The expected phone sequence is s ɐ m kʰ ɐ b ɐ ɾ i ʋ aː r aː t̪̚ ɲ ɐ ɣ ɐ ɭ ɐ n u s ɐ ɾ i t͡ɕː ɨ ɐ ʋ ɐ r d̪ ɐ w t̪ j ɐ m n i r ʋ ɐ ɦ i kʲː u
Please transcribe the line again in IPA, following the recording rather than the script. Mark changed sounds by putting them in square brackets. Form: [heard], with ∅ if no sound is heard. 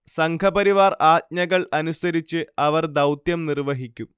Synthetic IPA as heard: s ɐ [ŋ] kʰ ɐ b ɐ ɾ i ʋ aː r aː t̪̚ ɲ ɐ ɣ ɐ ɭ ɐ n u s ɐ ɾ i t͡ɕː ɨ ɐ ʋ ɐ r d̪ ɐ w t̪ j ɐ m n i r ʋ ɐ ɦ i kʲː u